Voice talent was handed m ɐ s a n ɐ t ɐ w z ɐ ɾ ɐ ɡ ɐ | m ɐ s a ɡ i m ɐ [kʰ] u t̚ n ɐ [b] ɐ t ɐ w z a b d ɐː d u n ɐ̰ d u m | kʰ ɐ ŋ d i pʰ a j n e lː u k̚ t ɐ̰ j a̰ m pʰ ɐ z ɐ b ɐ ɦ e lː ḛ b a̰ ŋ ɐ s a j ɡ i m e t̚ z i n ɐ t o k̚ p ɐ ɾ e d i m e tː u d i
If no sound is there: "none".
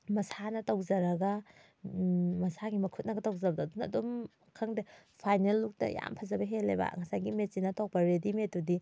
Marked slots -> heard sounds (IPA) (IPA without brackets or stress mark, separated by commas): kʰ, ɡ